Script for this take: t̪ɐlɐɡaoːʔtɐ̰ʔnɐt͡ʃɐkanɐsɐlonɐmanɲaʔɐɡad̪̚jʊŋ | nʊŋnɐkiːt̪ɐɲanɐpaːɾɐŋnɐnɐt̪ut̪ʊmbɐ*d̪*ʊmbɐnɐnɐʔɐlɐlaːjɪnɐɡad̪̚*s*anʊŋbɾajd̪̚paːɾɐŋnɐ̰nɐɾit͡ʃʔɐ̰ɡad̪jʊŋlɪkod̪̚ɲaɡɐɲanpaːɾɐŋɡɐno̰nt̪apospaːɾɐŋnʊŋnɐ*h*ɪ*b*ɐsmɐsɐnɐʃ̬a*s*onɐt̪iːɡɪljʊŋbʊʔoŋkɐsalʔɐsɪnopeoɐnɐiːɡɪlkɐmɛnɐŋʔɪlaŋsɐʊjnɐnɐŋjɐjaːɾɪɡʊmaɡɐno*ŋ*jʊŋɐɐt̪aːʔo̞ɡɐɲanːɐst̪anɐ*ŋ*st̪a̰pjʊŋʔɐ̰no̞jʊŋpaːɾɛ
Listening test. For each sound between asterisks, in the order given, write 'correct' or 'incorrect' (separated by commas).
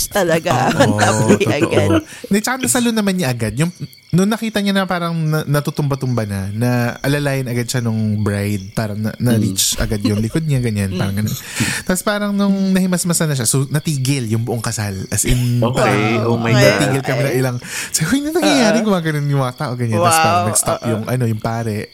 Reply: incorrect, incorrect, correct, incorrect, correct, incorrect, incorrect